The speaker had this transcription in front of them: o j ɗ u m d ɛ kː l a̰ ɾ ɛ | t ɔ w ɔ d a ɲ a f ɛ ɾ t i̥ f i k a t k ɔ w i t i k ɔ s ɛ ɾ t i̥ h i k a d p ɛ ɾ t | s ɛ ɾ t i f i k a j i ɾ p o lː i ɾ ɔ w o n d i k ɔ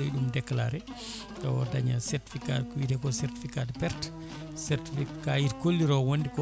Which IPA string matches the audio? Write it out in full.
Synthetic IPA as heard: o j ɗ u m d ɛ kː l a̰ ɾ ɛ | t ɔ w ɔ d a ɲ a s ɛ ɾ t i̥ f i k a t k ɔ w i t ɛ k ɔ s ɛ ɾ t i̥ f i k a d p ɛ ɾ t | s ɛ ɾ t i f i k a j i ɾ k o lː i ɾ ɔ w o n d i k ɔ